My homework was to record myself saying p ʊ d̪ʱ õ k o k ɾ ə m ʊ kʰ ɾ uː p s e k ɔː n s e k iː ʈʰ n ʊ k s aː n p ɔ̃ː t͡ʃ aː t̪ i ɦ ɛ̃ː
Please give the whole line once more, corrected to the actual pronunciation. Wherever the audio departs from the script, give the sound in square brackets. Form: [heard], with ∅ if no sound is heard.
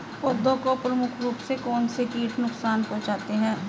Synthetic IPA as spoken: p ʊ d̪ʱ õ k o [p] ɾ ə m ʊ kʰ ɾ uː p s e k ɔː n s e k iː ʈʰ n ʊ k s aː n p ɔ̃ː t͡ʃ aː t̪ [e] ɦ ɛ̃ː